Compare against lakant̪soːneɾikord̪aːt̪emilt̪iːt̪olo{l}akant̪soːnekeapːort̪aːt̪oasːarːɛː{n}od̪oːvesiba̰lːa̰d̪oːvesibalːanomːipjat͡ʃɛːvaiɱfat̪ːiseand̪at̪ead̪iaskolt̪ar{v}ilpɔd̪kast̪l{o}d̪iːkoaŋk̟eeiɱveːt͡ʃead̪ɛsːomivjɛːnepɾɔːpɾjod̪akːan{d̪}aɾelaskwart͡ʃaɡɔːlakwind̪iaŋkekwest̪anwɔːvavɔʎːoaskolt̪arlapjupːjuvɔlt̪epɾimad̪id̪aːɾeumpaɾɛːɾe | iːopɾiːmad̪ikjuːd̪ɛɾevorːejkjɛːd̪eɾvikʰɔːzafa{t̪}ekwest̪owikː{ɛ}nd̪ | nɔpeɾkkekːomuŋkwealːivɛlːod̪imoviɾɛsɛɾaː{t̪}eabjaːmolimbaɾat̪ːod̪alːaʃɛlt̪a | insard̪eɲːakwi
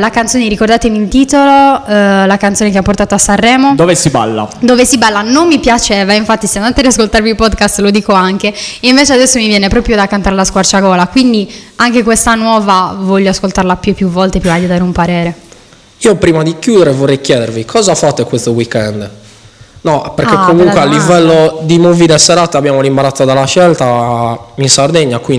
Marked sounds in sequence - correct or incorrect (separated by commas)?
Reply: correct, incorrect, correct, correct, incorrect, correct, correct, correct